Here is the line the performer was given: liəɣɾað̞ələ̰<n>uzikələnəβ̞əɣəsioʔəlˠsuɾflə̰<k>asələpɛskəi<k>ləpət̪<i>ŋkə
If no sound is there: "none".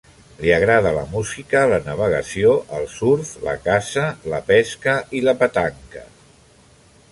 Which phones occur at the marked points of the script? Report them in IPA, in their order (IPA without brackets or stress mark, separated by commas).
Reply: m, k, none, a